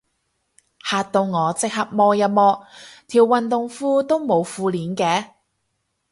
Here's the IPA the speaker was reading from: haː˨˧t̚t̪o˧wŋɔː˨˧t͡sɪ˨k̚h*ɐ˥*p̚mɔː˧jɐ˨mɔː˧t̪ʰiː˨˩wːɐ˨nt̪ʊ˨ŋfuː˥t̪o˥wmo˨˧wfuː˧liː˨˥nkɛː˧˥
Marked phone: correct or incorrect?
incorrect